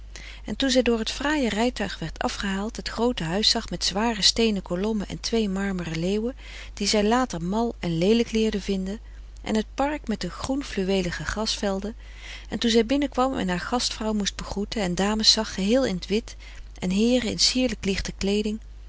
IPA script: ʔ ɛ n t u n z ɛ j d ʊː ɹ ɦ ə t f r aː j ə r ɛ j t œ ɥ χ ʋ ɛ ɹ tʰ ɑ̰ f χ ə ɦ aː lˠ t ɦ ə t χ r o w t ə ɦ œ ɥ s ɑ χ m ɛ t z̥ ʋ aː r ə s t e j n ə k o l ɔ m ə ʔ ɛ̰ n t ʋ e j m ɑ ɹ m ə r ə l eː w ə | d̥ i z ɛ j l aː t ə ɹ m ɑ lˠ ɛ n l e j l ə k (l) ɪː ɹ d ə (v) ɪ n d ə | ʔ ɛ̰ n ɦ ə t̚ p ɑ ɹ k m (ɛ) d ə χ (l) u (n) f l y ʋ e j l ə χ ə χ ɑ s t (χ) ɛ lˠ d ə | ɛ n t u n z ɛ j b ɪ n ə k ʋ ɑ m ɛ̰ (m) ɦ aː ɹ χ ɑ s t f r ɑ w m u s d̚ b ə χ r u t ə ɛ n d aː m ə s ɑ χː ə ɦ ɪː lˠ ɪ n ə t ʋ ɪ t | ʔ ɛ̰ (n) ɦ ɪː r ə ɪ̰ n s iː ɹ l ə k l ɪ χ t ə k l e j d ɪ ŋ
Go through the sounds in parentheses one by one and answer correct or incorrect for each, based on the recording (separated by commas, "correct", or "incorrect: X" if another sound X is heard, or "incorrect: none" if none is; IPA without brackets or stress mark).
correct, correct, correct, incorrect: r, correct, incorrect: f, incorrect: n, correct